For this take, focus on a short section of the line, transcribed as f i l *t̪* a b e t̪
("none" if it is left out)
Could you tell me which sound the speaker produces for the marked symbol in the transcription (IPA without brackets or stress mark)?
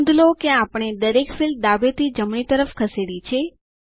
d̪